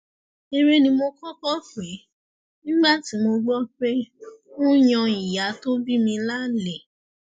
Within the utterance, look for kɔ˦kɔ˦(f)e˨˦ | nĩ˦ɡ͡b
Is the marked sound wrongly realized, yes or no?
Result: no